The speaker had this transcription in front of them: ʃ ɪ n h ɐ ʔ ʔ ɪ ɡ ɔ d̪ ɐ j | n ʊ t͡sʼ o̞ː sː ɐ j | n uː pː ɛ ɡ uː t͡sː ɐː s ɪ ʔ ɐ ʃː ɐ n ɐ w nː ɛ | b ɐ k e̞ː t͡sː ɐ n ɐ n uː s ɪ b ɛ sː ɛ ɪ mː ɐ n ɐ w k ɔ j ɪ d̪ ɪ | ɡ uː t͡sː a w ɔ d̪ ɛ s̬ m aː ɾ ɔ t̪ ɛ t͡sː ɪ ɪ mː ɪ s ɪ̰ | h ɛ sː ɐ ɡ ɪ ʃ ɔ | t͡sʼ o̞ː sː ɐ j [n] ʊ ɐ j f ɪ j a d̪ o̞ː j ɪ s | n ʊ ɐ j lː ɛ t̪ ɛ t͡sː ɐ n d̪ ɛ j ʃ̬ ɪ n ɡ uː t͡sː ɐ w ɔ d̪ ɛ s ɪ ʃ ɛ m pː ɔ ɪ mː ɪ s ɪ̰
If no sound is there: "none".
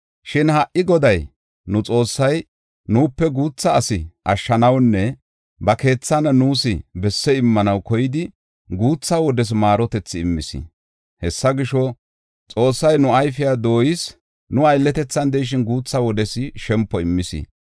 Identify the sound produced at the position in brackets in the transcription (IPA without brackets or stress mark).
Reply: n